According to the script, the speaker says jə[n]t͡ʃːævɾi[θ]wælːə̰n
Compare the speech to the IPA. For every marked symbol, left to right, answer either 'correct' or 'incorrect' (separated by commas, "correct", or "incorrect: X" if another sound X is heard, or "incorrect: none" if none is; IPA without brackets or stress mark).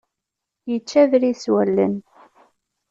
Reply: incorrect: none, incorrect: s